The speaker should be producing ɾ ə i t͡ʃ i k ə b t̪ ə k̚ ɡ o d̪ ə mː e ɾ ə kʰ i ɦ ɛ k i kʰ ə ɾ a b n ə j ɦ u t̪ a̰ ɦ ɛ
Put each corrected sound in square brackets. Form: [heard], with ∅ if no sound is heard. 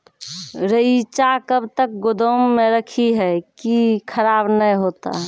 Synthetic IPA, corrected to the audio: ɾ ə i t͡ʃ [a] k ə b t̪ ə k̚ ɡ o d̪ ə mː e ɾ ə kʰ i ɦ ɛ k i kʰ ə ɾ a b n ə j ɦ [o] t̪ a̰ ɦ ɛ